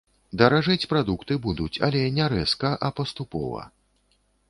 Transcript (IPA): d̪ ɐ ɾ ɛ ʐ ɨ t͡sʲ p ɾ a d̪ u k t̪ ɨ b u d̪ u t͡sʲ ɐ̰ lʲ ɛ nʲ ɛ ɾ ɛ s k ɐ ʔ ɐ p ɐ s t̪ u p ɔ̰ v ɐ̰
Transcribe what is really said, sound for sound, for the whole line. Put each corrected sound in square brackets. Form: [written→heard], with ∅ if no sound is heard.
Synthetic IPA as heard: d̪ ɐ ɾ [ɛ→a] ʐ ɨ t͡sʲ p ɾ a d̪ u k t̪ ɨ b u d̪ u t͡sʲ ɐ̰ lʲ ɛ nʲ ɛ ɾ ɛ s k ɐ ʔ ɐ p ɐ s t̪ u p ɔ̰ v ɐ̰